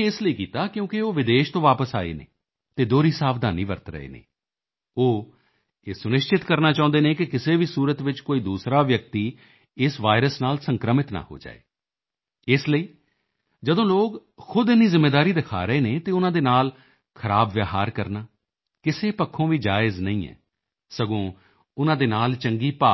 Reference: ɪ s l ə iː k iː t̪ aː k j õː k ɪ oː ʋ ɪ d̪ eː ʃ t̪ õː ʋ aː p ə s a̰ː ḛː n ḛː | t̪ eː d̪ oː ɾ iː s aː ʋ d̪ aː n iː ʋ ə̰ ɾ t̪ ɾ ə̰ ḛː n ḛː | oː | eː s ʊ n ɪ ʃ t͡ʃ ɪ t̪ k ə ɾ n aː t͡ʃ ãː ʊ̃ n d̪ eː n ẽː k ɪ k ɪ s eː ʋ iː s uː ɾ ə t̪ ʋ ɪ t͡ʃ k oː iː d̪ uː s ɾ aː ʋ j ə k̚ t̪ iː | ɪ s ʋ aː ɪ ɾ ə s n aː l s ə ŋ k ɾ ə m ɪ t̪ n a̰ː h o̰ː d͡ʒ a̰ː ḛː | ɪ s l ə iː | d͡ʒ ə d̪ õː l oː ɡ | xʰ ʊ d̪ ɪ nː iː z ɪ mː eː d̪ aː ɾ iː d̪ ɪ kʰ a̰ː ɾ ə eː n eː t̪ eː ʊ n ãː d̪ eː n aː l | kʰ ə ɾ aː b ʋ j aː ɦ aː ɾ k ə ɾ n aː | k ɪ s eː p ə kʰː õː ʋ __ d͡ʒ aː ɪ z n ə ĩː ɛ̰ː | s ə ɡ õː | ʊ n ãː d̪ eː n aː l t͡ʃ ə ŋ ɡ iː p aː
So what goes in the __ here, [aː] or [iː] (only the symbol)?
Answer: iː